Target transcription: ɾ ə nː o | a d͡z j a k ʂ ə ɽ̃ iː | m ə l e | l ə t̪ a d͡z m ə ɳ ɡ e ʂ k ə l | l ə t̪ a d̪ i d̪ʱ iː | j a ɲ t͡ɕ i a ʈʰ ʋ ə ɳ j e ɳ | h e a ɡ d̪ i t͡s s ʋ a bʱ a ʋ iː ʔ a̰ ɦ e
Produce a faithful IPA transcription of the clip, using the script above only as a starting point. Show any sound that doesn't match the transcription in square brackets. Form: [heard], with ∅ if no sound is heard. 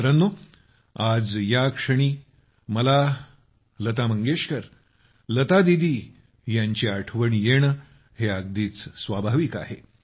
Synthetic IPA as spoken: ɾ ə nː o | a d͡z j a k ʂ ə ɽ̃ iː | m ə l [a] | l ə t̪ a [∅] m ə [ŋ] ɡ e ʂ k ə [ɾ] | l ə t̪ a d̪ i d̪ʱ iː | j a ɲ t͡ɕ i a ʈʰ ʋ ə ɳ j e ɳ | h e a ɡ d̪ [iː] t͡s s ʋ a bʱ a ʋ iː [k] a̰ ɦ e